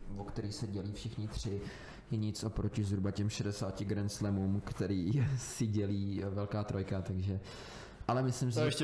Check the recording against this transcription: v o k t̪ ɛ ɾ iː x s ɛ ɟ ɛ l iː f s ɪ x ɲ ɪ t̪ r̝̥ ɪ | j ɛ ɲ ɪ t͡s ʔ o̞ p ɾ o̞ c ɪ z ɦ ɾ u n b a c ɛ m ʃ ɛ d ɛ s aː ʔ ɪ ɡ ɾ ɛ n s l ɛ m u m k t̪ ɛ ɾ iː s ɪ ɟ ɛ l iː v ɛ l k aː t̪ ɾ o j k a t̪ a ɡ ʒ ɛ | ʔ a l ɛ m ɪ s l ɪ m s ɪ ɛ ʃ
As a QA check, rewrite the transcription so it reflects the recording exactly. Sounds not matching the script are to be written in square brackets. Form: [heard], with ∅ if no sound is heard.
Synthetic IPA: v o k t̪ ɛ ɾ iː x s ɛ ɟ ɛ l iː f [ʃ] ɪ x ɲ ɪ t̪ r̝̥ ɪ | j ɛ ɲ ɪ t͡s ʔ o̞ p ɾ o̞ c ɪ z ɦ ɾ u [∅] b a c ɛ m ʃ ɛ d ɛ s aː [c] ɪ ɡ ɾ ɛ n s l ɛ m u m k t̪ ɛ ɾ iː s ɪ ɟ ɛ l iː v ɛ l k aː t̪ ɾ o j k a t̪ a ɡ ʒ ɛ | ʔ a l ɛ m ɪ s l ɪ m s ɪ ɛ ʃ